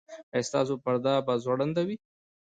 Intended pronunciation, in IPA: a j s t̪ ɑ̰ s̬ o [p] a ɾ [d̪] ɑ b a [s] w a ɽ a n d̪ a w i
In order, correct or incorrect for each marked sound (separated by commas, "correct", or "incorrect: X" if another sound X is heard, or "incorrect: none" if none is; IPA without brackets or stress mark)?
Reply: correct, correct, incorrect: z